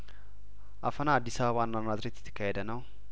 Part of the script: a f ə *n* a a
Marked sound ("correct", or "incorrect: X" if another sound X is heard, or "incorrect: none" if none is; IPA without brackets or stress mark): correct